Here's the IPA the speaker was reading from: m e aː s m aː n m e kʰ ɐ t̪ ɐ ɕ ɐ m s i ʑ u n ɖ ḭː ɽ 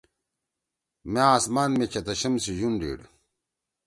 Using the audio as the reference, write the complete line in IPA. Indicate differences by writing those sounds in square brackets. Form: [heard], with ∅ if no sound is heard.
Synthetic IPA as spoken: m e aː s m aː n m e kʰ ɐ t̪ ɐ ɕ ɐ m s i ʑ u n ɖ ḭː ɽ